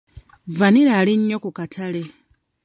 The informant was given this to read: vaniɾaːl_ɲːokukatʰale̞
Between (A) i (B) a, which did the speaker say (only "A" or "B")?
A